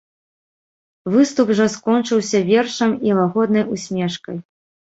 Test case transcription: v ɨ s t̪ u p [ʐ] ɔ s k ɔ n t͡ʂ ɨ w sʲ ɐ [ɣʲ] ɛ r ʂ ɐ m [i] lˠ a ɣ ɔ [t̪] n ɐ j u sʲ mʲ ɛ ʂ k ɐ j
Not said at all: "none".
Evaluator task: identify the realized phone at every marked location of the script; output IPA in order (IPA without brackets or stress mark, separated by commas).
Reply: ʐ, vʲ, i, d̪